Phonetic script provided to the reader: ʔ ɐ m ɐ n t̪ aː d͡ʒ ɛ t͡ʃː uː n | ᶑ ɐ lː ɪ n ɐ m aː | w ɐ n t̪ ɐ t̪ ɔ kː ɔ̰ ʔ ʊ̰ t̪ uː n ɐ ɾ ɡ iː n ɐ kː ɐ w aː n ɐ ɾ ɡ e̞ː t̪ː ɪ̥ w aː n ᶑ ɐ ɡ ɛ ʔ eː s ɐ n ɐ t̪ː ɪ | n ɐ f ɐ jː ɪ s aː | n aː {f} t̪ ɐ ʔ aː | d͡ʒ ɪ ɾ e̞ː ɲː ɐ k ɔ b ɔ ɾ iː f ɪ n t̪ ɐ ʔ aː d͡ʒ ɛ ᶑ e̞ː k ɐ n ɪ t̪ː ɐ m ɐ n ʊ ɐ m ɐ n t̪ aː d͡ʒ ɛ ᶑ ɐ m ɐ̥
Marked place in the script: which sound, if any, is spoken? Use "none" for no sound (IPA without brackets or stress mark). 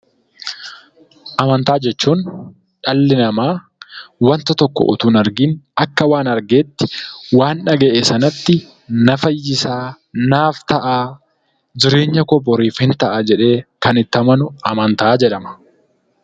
f